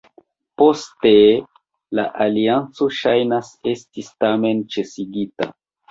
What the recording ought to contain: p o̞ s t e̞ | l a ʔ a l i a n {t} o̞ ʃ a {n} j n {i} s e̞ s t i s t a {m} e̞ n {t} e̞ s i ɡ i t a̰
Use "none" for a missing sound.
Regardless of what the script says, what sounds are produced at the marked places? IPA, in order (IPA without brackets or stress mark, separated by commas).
t͡s, none, a, m, t͡ʃ